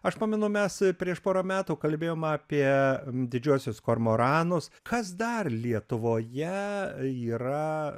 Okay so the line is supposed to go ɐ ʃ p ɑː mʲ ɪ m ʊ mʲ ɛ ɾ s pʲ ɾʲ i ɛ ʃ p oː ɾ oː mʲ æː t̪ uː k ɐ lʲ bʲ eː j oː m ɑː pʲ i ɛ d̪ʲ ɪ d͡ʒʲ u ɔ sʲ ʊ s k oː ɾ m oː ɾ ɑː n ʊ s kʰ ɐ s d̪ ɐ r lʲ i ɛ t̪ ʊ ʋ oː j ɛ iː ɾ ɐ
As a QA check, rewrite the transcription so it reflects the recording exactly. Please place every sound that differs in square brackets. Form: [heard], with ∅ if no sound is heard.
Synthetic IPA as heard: ɐ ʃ p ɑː mʲ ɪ [n] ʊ mʲ ɛ [∅] s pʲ ɾʲ i ɛ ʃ p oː ɾ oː mʲ æː t̪ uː k ɐ lʲ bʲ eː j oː m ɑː pʲ i ɛ d̪ʲ ɪ d͡ʒʲ u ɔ sʲ ʊ s k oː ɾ m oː ɾ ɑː n ʊ s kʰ ɐ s d̪ ɐ r lʲ i ɛ t̪ ʊ ʋ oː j ɛ iː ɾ ɐ